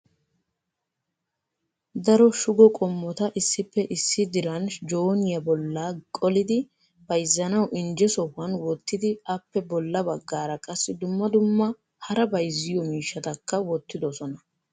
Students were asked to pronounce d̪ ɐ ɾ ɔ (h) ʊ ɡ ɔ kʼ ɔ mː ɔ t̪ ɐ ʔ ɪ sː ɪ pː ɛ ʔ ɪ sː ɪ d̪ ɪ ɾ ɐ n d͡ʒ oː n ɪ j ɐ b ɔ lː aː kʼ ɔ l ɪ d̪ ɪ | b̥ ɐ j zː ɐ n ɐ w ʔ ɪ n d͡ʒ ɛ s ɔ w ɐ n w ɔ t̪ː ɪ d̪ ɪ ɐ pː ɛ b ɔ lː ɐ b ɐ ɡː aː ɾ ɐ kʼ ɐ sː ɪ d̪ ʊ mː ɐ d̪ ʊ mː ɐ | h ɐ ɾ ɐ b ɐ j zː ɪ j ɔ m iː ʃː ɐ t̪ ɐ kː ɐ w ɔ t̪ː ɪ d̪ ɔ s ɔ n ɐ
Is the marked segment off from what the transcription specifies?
yes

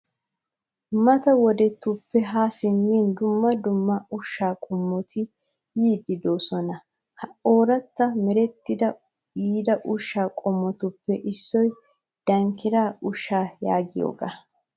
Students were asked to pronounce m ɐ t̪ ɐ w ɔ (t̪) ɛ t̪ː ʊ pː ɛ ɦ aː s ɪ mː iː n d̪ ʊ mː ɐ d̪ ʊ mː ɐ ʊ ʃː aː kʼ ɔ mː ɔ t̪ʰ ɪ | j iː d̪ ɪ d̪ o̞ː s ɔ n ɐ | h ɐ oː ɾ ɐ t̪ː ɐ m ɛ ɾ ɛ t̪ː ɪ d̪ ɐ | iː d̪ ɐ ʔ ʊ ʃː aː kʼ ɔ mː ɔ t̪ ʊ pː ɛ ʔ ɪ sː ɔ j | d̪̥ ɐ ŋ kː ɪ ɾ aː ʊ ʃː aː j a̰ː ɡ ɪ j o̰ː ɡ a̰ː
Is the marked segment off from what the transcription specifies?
yes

